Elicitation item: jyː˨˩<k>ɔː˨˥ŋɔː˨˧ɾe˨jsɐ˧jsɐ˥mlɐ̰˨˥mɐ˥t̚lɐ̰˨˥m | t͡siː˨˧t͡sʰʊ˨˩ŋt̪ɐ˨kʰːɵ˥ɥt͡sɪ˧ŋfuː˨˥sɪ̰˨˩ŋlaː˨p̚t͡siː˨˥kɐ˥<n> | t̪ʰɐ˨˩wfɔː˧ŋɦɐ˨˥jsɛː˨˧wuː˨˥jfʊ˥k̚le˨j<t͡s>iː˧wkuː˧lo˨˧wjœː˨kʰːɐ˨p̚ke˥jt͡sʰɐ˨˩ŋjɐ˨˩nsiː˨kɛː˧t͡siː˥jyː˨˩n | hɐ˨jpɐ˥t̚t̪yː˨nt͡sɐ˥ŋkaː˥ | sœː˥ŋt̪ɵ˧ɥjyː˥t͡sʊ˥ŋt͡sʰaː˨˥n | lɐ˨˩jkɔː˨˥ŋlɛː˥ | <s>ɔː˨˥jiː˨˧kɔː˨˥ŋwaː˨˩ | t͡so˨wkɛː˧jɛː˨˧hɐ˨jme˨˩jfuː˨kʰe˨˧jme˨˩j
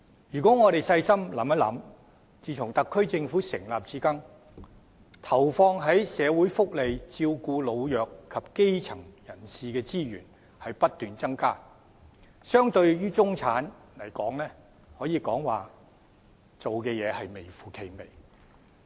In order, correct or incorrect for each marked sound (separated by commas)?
correct, incorrect, correct, incorrect